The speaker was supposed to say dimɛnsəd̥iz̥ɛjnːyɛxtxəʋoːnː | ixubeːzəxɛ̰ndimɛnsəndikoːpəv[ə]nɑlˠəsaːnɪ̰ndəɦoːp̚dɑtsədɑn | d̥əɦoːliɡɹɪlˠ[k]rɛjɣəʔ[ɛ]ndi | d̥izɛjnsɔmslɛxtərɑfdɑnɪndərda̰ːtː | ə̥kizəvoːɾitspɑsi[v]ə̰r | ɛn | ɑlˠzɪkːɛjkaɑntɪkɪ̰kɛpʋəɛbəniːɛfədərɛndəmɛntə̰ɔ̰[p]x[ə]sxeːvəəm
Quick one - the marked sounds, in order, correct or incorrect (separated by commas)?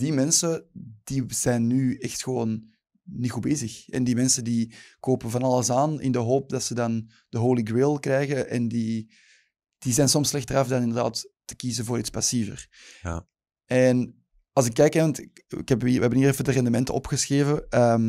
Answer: incorrect, correct, correct, correct, correct, correct